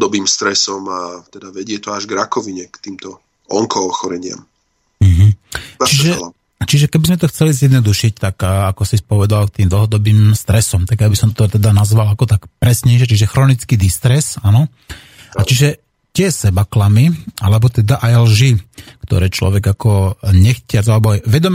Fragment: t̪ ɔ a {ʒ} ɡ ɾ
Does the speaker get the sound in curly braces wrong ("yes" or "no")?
no